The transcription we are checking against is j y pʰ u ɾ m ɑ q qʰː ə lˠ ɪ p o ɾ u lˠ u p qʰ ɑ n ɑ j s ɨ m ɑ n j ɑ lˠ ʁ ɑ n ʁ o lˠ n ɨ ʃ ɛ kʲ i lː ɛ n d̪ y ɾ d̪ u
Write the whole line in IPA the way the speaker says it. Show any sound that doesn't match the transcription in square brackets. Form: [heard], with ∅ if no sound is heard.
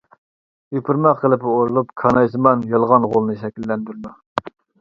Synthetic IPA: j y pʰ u ɾ m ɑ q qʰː ə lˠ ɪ p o ɾ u lˠ u p [kʰ] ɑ n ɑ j s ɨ m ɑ n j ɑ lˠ ʁ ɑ n ʁ o lˠ n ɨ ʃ ɛ kʲ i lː ɛ n d̪ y ɾ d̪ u